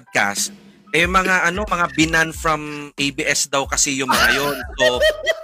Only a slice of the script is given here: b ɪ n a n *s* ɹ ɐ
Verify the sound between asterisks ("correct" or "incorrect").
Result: incorrect